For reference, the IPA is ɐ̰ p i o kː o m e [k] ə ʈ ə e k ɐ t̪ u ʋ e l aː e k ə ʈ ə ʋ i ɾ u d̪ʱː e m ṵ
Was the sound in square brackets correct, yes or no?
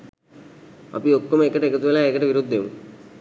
yes